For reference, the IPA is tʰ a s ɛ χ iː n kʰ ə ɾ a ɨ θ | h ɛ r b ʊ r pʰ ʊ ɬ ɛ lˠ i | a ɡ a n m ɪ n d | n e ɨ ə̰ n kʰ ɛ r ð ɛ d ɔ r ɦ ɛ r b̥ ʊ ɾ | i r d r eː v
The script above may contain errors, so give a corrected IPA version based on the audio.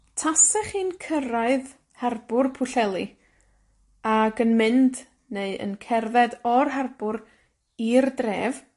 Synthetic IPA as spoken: tʰ a s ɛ χ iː n kʰ ə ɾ a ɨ ð | h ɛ r b ʊ r pʰ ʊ ɬ ɛ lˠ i | a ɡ ə n m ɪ n d | n e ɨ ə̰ n kʰ ɛ r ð ɛ d ɔ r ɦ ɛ r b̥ ʊ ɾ | i r d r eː v